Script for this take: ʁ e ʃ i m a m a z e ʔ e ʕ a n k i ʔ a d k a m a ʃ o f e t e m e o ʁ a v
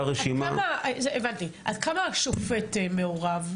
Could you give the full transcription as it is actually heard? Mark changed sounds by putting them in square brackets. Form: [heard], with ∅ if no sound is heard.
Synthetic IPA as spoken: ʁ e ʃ i m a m a z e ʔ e [v] a n [t] i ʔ a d k a m a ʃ o f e t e m e o ʁ a v